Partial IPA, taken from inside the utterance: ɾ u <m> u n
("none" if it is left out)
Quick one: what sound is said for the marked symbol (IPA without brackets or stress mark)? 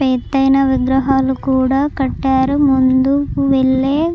m